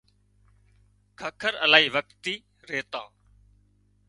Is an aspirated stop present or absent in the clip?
present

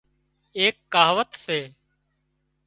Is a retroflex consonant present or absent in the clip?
absent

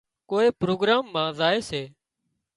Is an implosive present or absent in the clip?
absent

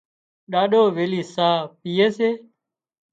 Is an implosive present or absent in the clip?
present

